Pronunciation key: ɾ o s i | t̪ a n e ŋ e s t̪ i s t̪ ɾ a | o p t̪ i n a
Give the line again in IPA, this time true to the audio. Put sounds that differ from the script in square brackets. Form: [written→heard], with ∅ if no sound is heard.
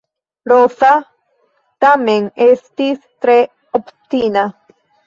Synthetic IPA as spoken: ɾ o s [i→a] | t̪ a [n→m] e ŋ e s t̪ i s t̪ ɾ [a→e] | o p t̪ i n a